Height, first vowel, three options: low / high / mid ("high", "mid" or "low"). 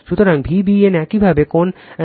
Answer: high